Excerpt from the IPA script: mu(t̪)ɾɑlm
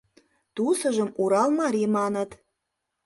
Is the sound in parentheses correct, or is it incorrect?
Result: incorrect